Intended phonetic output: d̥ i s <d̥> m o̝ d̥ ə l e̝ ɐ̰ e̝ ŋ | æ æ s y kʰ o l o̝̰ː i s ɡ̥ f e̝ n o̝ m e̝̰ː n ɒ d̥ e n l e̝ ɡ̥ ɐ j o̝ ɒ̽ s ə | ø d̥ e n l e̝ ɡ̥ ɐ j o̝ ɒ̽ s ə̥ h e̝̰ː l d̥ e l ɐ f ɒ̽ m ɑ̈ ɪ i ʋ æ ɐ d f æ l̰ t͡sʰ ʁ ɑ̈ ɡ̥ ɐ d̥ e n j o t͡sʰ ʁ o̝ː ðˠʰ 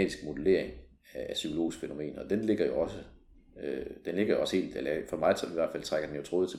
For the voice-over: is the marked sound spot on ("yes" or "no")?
no